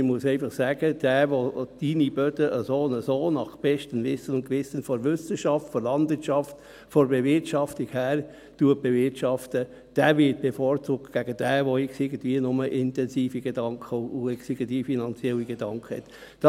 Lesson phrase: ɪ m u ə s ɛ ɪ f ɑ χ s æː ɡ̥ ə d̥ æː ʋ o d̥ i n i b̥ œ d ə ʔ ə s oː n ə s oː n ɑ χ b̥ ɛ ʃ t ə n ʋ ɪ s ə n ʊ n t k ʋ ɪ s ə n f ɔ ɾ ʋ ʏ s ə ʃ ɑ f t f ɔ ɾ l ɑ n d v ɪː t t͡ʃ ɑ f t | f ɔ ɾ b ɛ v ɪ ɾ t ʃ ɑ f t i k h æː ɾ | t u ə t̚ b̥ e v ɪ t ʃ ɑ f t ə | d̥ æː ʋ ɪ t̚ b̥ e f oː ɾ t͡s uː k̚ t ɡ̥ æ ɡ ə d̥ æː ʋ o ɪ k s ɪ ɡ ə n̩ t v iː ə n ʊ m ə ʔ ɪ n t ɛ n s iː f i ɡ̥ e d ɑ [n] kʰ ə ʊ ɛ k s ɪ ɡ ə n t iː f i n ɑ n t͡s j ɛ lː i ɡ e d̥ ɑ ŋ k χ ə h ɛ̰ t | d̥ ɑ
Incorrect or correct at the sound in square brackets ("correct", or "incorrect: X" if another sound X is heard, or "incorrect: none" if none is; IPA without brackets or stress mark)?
incorrect: ŋ